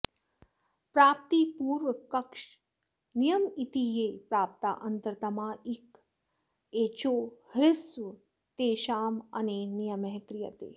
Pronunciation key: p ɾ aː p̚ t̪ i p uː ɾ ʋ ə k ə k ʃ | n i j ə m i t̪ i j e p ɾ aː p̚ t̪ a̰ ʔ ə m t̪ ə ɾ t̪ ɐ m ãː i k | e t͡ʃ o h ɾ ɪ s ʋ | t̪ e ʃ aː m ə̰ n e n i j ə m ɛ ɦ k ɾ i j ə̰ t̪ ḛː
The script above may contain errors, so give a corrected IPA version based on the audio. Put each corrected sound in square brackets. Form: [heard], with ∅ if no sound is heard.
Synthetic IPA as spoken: p ɾ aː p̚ t̪ i p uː ɾ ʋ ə k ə k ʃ | n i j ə m i t̪ i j e p ɾ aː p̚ t̪ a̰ ʔ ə [n] t̪ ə ɾ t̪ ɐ m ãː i k | e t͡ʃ o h ɾ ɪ s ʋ | t̪ e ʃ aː m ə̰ n e n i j ə m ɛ ɦ k ɾ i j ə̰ t̪ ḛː